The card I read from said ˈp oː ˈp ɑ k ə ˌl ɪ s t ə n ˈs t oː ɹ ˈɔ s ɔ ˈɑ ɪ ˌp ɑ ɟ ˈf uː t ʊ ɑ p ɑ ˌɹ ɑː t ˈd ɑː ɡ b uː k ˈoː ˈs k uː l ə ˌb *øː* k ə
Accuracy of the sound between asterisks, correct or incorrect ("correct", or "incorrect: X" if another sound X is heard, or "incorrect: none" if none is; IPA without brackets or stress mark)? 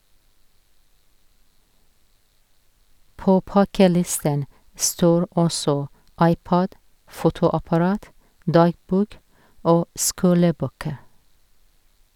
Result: correct